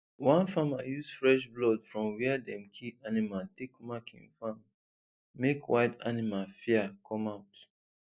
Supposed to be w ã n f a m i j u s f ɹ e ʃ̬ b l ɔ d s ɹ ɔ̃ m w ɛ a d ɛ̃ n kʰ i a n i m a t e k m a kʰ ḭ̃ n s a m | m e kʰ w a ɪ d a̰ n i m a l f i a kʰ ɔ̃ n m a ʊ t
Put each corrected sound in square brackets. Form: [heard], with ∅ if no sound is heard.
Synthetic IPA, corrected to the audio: w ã n f a m [a] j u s f ɹ [ɛ] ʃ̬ b l ɔ d [f] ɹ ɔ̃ m w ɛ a d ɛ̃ [m] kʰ i a n i m a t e k m a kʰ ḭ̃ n [f] a m | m e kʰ w a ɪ d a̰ n i m a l f i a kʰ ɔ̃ [∅] m a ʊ t